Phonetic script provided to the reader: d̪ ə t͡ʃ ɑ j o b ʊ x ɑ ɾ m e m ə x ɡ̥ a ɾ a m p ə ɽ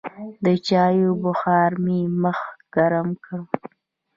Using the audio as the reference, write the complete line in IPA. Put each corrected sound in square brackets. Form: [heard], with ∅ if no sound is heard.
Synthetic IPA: d̪ ə t͡ʃ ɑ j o b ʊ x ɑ ɾ m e m ə x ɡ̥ a ɾ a m [k] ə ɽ